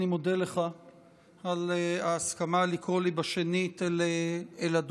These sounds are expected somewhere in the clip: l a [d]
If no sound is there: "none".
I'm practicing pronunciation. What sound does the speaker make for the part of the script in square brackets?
d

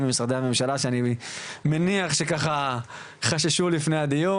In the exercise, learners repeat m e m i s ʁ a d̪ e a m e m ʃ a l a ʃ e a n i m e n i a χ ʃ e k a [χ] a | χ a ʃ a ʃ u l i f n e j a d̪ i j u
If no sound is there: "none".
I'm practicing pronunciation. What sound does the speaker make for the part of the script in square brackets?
χ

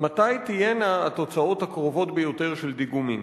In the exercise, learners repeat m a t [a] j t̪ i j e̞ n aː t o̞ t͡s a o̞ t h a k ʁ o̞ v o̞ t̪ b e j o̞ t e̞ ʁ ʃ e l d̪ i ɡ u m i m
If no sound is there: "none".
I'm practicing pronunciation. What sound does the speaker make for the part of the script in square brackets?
a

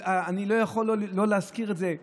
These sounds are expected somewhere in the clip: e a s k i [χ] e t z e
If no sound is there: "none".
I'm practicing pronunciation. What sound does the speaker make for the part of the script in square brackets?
ʁ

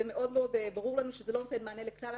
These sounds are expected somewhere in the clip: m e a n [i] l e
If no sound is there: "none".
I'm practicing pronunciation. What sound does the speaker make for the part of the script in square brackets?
e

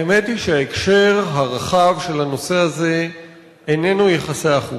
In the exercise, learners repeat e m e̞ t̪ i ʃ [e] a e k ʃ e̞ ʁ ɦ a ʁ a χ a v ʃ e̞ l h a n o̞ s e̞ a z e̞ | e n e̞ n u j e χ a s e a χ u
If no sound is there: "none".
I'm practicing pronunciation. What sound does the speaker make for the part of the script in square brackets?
e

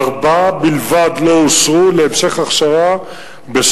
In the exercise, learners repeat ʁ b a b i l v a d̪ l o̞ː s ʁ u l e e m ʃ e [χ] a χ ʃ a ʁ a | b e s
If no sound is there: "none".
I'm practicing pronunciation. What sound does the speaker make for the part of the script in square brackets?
χ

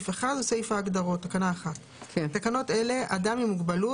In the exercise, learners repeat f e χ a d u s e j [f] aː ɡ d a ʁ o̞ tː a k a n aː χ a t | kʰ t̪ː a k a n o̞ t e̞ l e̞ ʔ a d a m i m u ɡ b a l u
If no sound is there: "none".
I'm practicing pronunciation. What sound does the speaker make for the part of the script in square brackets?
f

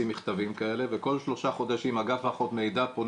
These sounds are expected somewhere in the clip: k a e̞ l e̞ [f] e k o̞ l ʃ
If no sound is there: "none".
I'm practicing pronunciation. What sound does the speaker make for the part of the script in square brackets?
v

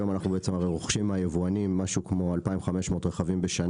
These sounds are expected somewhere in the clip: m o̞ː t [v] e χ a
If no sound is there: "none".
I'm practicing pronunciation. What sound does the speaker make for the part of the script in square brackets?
ʁ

